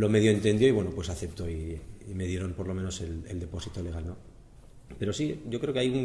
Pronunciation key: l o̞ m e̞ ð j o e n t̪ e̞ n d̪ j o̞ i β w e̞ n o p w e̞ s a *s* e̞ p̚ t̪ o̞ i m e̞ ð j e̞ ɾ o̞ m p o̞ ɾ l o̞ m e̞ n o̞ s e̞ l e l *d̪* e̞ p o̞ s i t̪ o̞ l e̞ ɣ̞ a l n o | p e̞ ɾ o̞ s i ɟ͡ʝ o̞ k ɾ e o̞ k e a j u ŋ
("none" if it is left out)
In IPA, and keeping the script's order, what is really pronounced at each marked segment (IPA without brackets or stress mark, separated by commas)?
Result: θ, d̪